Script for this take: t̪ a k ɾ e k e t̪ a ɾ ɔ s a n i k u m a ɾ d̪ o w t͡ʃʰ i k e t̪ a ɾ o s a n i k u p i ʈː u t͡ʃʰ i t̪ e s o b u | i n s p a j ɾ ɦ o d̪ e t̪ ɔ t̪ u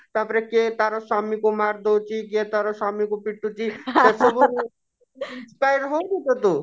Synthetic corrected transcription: t̪ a p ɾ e k e t̪ a ɾ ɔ s a m i k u m a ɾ d̪ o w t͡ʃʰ i k e t̪ a ɾ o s a m i k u p i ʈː u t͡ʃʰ i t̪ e s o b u | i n s p a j ɾ ɦ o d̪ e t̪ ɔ t̪ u